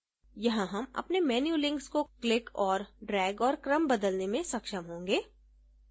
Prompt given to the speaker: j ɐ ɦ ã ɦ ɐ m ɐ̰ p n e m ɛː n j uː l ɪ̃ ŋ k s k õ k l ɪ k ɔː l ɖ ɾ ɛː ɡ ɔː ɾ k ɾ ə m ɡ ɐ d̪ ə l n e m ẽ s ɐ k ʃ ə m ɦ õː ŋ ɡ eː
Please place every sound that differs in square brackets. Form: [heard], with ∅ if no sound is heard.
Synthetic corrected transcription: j ɐ ɦ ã ɦ ɐ m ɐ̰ p n e m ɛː n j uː l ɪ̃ ŋ k s k [o] k l ɪ k ɔː [ɾ] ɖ ɾ ɛː ɡ ɔː ɾ k ɾ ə m [b] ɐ d̪ ə l n e m ẽ s ɐ k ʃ ə m ɦ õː ŋ ɡ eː